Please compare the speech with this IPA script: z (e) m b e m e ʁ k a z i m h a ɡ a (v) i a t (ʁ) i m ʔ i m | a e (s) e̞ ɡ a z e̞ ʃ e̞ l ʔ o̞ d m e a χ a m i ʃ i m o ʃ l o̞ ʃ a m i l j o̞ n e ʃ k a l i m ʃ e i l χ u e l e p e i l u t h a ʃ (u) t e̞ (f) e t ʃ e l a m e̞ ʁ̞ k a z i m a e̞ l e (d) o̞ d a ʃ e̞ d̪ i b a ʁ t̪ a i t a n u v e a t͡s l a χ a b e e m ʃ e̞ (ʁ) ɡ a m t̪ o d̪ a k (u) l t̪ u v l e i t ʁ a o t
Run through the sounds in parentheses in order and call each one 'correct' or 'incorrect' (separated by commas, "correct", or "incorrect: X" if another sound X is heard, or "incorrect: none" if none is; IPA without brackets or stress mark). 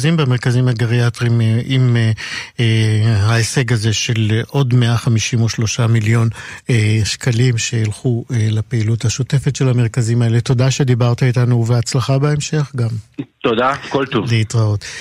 incorrect: i, incorrect: ʁ, correct, correct, incorrect: o, correct, incorrect: t, incorrect: χ, incorrect: o